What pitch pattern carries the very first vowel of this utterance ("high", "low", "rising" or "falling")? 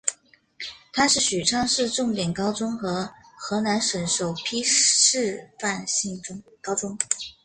high